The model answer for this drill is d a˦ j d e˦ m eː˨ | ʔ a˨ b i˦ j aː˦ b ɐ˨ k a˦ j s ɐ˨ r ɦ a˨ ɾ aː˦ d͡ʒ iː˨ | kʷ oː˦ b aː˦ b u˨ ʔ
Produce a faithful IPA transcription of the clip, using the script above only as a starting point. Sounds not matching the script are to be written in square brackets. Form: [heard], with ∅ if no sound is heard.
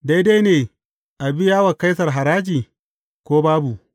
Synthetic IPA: d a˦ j d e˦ [n] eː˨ | ʔ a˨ b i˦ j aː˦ [w] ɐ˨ k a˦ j s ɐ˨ r ɦ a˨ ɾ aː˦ d͡ʒ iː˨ | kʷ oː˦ b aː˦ b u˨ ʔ